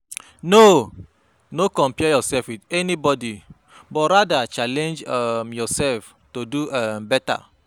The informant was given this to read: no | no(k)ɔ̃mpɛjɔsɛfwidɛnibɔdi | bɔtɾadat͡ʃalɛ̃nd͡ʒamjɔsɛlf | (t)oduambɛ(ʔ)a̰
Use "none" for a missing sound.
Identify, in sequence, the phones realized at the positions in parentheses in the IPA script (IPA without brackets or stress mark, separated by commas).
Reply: k, t, t